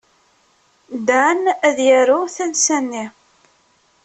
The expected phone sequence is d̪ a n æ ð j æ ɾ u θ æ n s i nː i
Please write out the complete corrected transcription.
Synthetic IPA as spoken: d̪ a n æ ð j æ ɾ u θ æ n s æ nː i